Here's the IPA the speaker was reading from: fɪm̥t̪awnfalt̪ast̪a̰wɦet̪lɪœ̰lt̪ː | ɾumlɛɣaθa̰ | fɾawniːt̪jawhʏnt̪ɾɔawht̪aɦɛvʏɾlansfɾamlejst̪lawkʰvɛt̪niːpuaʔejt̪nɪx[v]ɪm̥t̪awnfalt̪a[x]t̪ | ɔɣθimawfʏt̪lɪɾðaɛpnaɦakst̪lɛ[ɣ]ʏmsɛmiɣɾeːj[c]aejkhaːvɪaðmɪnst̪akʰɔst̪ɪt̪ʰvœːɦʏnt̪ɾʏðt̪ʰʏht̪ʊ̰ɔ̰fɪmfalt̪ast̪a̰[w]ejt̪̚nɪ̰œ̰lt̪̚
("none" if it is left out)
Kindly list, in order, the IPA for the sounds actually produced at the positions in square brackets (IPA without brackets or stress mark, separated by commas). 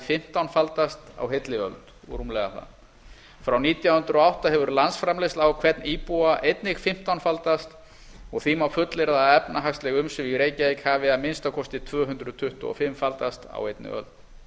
f, s, ɣ, c, w